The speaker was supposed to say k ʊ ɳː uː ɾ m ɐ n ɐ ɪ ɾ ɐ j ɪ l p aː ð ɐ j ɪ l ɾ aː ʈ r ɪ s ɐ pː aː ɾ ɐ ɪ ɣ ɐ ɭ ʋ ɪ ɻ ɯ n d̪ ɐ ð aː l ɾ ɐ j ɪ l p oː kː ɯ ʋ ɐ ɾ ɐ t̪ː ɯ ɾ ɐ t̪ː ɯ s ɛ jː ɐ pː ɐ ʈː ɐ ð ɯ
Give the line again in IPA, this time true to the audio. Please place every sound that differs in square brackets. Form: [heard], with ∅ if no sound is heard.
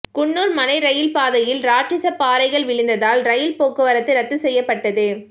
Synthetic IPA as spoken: k ʊ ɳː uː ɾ m ɐ n ɐ ɪ ɾ ɐ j ɪ l p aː ð ɐ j ɪ l ɾ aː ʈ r ɪ s ɐ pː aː ɾ ɐ ɪ ɣ ɐ ɭ ʋ ɪ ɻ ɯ n d̪ ɐ ð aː l ɾ ɐ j ɪ l p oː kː ɯ ʋ ɐ ɾ ɐ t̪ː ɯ ɾ ɐ t̪ː ɯ s ɛ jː ɐ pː ɐ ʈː ɐ ð ɯ